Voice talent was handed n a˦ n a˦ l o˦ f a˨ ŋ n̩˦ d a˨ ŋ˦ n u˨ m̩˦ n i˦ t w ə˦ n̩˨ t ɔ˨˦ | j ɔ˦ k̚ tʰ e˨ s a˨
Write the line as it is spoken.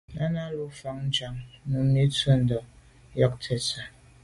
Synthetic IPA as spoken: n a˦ n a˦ l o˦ f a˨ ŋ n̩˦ d͡ʒ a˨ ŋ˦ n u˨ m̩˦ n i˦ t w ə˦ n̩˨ d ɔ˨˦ | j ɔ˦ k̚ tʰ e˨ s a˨